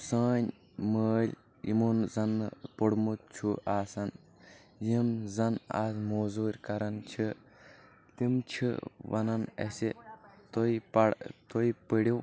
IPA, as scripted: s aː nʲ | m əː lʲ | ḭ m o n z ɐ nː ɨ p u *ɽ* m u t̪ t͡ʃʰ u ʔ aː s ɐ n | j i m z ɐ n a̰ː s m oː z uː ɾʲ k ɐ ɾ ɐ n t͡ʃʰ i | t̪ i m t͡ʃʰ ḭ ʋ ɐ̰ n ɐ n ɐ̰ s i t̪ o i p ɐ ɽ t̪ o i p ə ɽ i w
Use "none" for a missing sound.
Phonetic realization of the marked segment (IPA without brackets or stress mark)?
ɽ